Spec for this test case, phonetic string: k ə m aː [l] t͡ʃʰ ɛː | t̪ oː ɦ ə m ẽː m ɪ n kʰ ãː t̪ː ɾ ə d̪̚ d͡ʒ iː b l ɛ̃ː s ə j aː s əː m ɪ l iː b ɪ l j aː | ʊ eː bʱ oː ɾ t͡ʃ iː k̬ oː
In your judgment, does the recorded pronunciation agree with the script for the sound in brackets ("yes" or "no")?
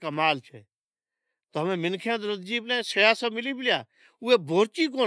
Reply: yes